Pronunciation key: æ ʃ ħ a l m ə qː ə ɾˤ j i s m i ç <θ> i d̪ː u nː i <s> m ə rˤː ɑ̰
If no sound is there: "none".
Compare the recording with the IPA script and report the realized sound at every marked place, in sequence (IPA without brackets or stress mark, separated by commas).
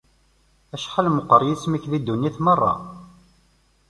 ð, θ